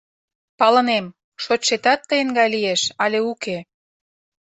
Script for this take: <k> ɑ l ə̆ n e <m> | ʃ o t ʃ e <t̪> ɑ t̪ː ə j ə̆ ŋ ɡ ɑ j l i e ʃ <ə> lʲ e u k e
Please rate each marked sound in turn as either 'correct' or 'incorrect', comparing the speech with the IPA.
incorrect, correct, correct, incorrect

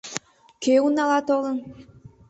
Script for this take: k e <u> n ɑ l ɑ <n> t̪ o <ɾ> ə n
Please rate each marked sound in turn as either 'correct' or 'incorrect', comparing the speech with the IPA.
correct, incorrect, incorrect

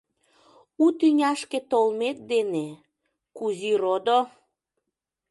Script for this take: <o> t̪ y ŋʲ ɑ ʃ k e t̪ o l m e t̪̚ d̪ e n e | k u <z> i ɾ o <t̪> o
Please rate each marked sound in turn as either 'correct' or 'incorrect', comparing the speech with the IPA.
incorrect, correct, incorrect

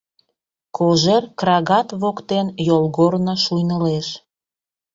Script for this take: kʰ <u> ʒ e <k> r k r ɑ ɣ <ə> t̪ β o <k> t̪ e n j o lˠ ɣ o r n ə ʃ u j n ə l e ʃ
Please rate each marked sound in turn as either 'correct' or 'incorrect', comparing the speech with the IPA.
incorrect, incorrect, incorrect, correct

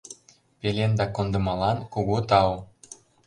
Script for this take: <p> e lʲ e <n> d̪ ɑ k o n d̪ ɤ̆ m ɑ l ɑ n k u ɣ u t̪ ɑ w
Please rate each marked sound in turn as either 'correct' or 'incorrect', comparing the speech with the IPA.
correct, correct

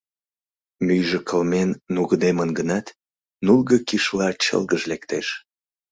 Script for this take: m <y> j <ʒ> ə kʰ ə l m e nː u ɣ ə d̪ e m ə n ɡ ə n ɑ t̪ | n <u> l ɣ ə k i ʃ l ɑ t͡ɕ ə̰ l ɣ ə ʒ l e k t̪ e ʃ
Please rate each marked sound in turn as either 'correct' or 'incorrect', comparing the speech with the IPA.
correct, correct, correct

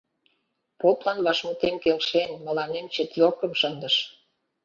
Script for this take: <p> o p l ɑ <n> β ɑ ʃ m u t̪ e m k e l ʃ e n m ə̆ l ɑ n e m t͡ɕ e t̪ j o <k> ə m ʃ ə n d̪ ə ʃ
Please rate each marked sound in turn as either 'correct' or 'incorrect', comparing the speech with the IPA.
correct, correct, correct

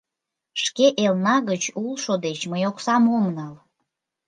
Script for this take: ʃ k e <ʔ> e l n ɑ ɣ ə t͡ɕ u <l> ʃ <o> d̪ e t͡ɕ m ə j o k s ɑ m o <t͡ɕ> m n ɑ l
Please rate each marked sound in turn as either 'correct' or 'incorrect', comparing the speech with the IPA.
correct, correct, correct, incorrect

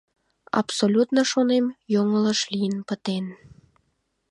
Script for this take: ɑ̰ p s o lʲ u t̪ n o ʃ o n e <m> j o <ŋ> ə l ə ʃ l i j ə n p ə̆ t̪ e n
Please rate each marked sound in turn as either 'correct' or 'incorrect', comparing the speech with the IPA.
correct, correct

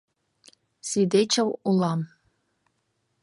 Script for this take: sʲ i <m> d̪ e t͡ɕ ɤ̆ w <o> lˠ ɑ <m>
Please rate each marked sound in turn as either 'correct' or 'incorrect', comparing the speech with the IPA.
incorrect, incorrect, correct

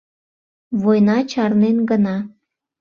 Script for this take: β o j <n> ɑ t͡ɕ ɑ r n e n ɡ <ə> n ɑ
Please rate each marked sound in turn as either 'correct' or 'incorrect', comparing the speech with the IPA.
correct, correct

